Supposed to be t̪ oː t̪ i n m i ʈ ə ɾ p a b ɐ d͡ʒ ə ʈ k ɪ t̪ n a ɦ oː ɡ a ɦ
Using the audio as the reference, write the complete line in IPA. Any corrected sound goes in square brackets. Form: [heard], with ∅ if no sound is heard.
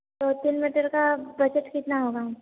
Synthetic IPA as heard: t̪ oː t̪ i n m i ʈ ə ɾ [k] a b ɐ d͡ʒ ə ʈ k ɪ t̪ n a ɦ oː ɡ a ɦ